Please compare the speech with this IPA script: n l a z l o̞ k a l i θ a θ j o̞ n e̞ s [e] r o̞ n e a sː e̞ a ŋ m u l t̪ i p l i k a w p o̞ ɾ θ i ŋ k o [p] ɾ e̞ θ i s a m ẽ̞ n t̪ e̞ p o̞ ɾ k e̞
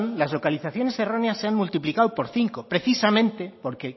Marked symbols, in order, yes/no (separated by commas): yes, yes